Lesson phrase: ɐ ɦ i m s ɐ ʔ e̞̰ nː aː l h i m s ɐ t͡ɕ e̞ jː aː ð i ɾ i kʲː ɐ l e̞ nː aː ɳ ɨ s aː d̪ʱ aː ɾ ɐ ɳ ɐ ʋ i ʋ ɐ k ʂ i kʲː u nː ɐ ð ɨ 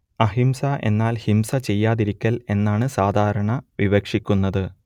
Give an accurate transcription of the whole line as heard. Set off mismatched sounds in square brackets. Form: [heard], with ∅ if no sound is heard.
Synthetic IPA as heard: ɐ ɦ i m s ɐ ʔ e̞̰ nː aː l h i m s ɐ t͡ɕ e̞ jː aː ð i ɾ i kʲː ɐ l e̞ nː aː ɳ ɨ s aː d̪ʱ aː ɾ ɐ ɳ ɐ ʋ i ʋ ɐ k ʂ i kʲː u nː ɐ ð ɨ